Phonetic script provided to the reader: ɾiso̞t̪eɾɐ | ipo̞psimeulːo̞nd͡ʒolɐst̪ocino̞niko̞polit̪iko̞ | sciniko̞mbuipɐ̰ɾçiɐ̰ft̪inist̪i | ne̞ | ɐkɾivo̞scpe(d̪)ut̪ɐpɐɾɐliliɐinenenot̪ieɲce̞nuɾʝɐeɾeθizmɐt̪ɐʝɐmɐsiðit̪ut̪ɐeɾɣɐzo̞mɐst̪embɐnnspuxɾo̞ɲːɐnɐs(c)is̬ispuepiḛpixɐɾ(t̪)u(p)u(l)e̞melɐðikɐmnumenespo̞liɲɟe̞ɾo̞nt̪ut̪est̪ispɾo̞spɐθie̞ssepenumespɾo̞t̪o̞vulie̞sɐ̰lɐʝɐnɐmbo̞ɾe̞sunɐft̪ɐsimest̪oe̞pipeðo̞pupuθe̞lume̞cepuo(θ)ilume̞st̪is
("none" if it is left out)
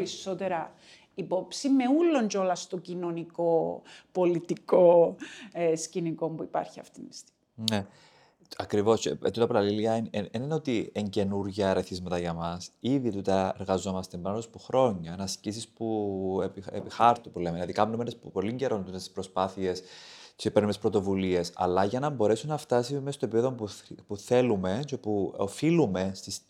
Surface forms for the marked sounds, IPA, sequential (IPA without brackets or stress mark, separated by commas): t̪, c, t̪, p, l, f